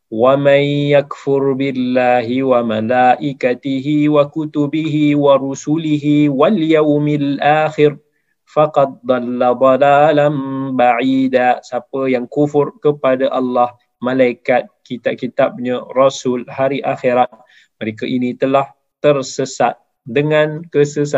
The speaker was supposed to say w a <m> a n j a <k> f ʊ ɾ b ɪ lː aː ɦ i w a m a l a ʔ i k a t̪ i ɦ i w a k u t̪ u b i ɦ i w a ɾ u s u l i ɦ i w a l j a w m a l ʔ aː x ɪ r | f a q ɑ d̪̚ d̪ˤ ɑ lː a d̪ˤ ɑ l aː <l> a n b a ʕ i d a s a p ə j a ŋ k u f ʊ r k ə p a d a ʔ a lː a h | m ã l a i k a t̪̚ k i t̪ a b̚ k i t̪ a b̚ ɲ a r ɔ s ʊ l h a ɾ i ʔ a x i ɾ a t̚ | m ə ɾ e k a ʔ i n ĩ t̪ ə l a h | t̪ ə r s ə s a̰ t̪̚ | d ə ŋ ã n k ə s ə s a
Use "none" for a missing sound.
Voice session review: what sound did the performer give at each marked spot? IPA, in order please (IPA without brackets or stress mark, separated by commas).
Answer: m, k, l